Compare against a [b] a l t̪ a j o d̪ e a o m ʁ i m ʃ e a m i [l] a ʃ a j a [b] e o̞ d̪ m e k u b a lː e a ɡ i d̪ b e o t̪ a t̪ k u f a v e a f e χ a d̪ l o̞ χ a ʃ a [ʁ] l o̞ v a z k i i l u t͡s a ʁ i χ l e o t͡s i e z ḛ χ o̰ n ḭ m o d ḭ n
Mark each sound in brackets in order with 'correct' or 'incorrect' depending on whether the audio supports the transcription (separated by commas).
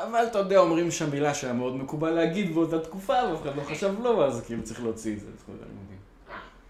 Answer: incorrect, correct, incorrect, incorrect